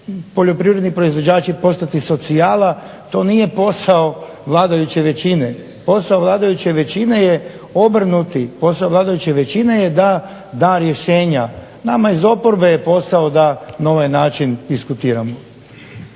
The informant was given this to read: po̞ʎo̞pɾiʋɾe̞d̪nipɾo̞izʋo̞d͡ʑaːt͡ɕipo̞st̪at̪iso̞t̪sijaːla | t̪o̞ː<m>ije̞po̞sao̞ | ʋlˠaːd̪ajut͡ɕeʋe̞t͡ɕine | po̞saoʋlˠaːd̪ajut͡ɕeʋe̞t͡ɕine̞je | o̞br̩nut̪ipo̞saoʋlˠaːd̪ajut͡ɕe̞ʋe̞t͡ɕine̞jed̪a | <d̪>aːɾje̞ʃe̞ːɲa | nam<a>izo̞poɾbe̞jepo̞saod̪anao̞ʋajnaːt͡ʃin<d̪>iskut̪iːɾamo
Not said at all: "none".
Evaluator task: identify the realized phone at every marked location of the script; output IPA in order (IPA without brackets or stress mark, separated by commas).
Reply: n, d̪, a, d̪